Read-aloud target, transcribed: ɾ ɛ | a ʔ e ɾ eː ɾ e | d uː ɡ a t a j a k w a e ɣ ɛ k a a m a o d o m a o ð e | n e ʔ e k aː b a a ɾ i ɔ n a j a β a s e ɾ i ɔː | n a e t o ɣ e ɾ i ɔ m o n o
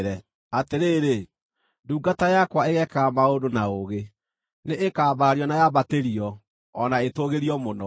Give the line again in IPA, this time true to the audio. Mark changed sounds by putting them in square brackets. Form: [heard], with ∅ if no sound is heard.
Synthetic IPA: ɾ ɛ | a [t] e ɾ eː ɾ e | d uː ɡ a t a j a k w a e ɣ ɛ k a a m a o d o [n] a o [ɣ] e | n e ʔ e k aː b a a ɾ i ɔ n a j a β a [t] e ɾ i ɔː | n a e t o ɣ e ɾ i ɔ m o n [ɔ]